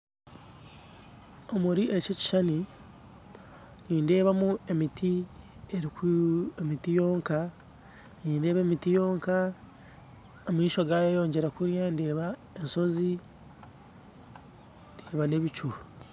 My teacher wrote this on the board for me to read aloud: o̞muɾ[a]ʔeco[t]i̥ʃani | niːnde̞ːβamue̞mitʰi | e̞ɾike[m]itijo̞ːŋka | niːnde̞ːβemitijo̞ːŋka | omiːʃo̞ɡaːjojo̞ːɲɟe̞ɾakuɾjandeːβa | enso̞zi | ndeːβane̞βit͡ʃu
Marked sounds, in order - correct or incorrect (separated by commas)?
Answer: incorrect, incorrect, correct